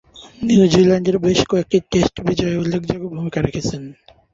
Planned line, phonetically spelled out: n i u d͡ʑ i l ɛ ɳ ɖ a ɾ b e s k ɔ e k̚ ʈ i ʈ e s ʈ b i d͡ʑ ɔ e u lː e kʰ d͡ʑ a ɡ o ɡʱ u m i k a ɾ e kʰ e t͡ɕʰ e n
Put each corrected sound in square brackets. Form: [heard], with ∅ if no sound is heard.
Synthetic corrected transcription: n i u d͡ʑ i l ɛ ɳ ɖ [e] ɾ b e [ʃ] k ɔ e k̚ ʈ i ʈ e s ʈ b i d͡ʑ ɔ e u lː e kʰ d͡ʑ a ɡ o [bʱ] u m i k a ɾ e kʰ e t͡ɕʰ e n